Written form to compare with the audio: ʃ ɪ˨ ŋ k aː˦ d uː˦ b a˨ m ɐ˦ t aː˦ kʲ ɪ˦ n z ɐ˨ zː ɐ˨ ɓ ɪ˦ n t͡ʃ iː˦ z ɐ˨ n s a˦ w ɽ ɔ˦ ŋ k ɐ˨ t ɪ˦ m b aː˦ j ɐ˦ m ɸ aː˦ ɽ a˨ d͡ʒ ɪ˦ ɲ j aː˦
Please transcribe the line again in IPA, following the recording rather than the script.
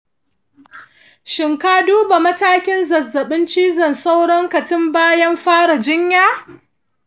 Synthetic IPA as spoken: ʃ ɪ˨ ŋ k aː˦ d uː˦ b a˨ m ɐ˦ t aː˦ kʲ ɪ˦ n z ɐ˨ zː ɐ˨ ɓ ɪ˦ n t͡ʃ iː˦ z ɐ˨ n s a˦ w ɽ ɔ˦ ŋ k ɐ˨ t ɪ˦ m b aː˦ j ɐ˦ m ɸ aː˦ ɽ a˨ d͡ʒ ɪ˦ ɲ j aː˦